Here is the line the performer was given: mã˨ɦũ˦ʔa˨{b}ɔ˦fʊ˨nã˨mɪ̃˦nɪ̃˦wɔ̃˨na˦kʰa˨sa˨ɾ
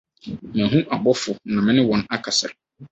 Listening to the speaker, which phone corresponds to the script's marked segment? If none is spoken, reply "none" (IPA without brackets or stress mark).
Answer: b